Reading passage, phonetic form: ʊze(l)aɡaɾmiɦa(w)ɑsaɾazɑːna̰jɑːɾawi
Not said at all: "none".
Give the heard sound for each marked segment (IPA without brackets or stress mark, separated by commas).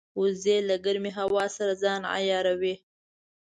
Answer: l, w